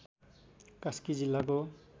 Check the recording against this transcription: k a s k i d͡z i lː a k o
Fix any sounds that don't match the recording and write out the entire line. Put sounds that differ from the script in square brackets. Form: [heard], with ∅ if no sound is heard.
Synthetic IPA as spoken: k a s k i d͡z i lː a k o